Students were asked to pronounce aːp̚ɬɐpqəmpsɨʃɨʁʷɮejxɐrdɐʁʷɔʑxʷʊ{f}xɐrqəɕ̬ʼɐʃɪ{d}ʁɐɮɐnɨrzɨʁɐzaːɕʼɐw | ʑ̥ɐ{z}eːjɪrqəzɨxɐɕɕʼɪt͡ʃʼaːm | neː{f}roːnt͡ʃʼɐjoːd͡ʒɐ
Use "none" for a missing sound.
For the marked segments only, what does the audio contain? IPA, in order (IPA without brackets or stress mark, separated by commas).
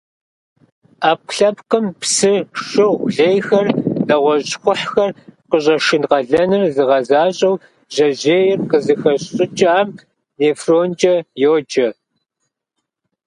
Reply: ħ, n, ʑ, f